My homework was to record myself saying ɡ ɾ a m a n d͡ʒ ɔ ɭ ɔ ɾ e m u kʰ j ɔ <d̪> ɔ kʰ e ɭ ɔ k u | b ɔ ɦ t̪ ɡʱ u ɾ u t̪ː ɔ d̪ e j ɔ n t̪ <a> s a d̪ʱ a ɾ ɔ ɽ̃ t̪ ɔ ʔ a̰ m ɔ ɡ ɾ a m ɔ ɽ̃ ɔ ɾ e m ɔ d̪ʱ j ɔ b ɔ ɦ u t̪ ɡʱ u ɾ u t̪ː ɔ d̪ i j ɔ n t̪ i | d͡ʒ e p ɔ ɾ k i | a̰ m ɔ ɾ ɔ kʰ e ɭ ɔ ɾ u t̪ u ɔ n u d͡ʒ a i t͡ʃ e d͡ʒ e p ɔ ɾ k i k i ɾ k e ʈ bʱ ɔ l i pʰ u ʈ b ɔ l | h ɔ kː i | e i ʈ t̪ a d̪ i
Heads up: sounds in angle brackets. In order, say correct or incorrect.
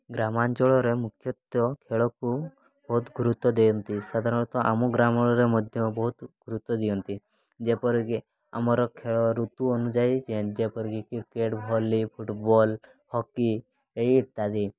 incorrect: t̪, incorrect: i

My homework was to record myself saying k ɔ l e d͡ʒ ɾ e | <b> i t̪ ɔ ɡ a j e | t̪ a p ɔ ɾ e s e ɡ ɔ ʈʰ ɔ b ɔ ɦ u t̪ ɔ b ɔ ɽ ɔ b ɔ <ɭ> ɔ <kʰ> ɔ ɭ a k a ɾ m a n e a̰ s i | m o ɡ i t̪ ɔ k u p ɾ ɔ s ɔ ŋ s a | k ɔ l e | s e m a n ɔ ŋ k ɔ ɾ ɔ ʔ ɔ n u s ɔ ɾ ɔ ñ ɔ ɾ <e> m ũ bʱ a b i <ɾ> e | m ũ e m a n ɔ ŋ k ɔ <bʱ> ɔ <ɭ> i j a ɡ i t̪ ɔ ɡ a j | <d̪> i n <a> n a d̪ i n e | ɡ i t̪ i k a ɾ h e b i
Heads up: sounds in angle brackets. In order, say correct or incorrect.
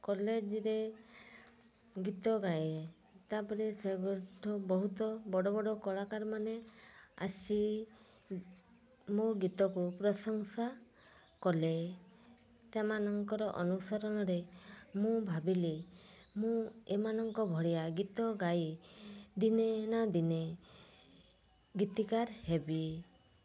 incorrect: ɡ, incorrect: ɽ, incorrect: k, correct, incorrect: l, correct, incorrect: ɽ, correct, incorrect: e

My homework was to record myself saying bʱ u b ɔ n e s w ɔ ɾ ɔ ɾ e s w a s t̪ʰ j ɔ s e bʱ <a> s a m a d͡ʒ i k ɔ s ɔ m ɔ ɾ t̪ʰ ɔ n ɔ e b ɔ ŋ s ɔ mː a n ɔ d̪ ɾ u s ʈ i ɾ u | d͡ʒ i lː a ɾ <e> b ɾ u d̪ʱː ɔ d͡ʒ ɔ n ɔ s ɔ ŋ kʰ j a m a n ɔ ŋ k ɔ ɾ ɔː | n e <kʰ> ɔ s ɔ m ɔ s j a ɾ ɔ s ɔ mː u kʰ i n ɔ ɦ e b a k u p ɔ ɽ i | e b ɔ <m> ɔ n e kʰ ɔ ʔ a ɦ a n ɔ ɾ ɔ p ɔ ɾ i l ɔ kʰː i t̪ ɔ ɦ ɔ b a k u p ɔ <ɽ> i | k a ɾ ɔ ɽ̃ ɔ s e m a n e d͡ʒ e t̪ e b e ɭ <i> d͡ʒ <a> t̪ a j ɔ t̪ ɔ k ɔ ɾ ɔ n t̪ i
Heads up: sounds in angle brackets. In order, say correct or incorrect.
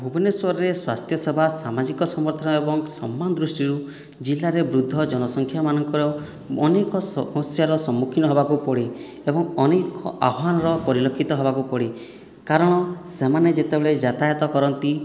correct, correct, incorrect: k, incorrect: ŋ, correct, incorrect: e, correct

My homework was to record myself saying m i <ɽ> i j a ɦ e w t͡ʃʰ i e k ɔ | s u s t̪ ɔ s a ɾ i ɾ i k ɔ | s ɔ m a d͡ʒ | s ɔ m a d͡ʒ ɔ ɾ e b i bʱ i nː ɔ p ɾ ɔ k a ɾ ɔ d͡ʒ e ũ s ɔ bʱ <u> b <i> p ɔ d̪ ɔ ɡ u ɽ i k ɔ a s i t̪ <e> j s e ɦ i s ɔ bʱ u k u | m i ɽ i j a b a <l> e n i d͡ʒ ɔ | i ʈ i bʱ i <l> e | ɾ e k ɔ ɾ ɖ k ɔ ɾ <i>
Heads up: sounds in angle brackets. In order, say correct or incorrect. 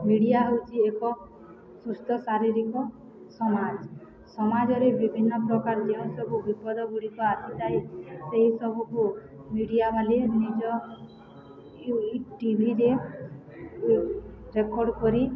correct, correct, correct, incorrect: a, correct, incorrect: ɾ, correct

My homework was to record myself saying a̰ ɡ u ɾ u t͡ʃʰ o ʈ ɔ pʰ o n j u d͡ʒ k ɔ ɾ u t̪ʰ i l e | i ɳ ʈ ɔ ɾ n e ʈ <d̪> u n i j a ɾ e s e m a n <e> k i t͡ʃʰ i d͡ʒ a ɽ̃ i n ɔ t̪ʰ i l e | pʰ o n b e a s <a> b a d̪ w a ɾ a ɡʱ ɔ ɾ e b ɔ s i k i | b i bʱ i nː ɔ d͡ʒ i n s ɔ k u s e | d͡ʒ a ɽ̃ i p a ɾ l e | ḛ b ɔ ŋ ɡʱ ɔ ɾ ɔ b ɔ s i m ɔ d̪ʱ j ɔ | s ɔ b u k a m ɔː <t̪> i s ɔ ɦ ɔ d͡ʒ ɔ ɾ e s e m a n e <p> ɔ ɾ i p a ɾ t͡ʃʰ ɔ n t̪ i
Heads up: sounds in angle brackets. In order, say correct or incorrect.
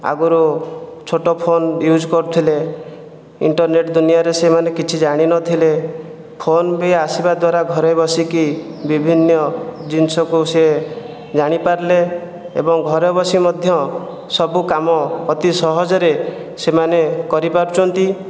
correct, correct, incorrect: i, correct, incorrect: k

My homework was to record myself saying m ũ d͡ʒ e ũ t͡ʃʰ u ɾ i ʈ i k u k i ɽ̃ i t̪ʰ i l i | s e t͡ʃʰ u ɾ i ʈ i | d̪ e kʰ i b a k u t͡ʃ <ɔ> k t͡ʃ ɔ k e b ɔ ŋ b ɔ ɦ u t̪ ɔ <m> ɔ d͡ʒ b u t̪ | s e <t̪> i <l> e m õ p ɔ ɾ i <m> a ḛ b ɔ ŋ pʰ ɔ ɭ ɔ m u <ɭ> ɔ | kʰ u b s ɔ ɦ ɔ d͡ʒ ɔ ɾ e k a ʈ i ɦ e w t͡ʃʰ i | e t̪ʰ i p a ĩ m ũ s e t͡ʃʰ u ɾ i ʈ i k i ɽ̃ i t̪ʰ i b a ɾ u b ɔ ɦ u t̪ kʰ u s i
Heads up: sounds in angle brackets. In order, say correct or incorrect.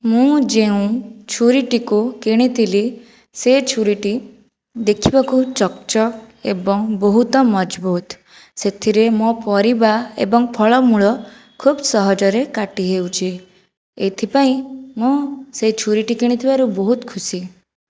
correct, correct, incorrect: t̪ʰ, incorrect: ɾ, incorrect: b, correct

